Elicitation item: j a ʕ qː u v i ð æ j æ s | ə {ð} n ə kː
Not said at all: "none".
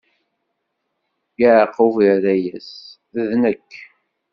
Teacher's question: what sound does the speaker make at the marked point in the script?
ð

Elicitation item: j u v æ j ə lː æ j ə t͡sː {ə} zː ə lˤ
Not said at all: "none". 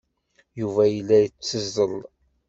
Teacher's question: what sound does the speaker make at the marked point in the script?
ə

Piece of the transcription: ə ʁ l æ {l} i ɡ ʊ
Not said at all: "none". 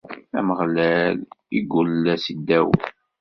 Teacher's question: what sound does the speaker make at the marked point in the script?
l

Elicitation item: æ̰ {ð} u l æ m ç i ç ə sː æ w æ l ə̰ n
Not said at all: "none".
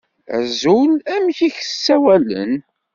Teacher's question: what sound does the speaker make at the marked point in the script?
z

